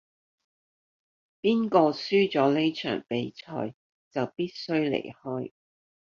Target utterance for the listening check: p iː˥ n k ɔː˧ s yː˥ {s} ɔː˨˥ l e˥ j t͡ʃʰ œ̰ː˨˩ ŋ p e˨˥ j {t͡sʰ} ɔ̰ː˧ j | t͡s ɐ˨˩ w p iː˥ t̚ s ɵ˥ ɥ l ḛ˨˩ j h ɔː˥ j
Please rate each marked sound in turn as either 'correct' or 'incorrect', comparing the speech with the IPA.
incorrect: t͡s, correct

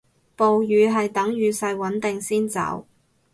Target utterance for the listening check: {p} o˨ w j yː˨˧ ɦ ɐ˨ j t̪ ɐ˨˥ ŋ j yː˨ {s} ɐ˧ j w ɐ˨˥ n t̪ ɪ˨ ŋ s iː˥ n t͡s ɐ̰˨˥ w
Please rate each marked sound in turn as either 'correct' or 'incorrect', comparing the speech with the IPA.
correct, correct

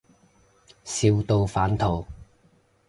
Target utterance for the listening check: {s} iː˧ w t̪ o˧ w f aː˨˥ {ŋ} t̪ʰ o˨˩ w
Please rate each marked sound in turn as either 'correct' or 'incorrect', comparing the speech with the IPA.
correct, incorrect: n

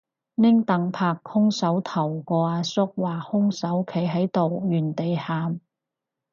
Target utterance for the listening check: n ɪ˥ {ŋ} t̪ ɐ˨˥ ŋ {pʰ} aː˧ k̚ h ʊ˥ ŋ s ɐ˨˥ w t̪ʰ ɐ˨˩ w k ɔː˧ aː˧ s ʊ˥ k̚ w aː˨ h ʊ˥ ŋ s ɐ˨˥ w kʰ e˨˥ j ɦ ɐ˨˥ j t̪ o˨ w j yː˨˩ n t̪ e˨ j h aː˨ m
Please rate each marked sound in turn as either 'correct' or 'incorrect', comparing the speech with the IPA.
correct, correct

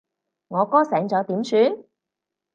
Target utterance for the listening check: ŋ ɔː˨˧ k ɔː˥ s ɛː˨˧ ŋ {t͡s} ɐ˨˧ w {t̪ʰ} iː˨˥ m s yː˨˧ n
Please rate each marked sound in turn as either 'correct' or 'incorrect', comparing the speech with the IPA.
correct, incorrect: t̪

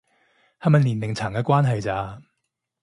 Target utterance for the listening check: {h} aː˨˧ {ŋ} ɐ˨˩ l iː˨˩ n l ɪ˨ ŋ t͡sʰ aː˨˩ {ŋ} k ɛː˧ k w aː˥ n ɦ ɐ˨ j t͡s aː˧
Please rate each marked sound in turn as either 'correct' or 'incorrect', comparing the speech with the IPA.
correct, incorrect: m, correct

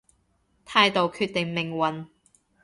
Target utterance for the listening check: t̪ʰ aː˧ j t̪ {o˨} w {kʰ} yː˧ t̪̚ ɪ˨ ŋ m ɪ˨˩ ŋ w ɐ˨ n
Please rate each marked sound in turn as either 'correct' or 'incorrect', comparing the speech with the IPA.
correct, correct

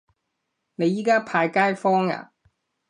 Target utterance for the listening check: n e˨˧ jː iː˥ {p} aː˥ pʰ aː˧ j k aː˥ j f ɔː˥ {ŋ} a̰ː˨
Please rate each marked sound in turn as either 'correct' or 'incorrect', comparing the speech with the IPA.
incorrect: k, correct

